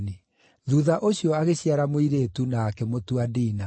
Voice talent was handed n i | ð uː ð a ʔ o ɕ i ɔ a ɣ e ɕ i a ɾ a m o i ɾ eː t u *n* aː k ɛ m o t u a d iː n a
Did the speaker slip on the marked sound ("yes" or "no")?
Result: no